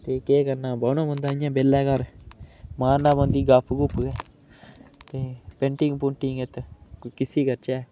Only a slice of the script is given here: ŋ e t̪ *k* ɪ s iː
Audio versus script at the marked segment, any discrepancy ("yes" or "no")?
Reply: no